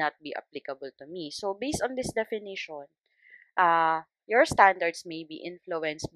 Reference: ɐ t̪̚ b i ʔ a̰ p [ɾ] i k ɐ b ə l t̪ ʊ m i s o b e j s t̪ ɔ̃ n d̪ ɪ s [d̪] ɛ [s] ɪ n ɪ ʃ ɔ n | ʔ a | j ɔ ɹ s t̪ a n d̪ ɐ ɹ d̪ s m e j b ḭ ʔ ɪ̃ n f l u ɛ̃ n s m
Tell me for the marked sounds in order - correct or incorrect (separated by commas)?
incorrect, correct, incorrect